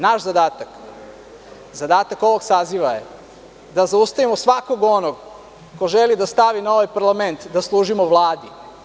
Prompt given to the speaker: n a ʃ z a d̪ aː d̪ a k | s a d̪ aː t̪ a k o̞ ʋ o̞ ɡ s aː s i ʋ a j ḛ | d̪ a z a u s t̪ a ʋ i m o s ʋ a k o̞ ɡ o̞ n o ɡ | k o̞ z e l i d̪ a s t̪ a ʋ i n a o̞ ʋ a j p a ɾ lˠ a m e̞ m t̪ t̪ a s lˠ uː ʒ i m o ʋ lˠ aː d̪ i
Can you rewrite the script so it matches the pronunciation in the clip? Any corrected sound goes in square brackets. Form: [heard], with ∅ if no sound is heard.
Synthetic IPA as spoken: n a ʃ z a d̪ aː [t̪] a k | [z] a d̪ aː t̪ a k o̞ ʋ o̞ ɡ s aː [z] i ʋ a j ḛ | d̪ a z a u s t̪ a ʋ i m o s ʋ a k o̞ ɡ o̞ n o ɡ | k o̞ [ʒ] e l i d̪ a s t̪ a ʋ i n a o̞ ʋ a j p a ɾ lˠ a m e̞ [n] t̪ [d̪] a s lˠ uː ʒ i m o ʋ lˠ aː d̪ i